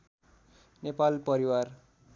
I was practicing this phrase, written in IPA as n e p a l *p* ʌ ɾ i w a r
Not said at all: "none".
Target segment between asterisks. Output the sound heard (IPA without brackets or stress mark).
p